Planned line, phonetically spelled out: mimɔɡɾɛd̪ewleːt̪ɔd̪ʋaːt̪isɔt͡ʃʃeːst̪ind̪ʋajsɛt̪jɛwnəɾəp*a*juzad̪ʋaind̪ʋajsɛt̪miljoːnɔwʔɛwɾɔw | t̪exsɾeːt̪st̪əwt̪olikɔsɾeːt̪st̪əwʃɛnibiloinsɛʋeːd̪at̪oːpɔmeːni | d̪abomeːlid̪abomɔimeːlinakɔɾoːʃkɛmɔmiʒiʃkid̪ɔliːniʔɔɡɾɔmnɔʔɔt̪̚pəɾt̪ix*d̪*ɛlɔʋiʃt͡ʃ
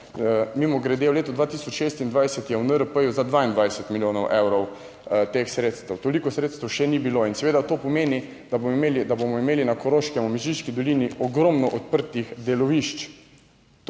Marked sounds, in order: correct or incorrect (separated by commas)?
incorrect, correct